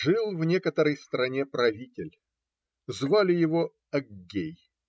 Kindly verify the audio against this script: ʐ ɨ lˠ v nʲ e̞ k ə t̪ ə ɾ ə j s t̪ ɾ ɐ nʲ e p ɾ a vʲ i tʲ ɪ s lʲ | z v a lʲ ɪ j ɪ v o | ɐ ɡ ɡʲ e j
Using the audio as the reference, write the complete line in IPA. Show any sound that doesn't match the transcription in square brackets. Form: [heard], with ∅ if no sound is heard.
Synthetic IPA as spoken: ʐ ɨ lˠ v nʲ e̞ k ə t̪ ə ɾ ə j s t̪ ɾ ɐ nʲ e p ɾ [ɐ] vʲ i tʲ ɪ [∅] lʲ | z v a lʲ ɪ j ɪ v o | ɐ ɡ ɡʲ e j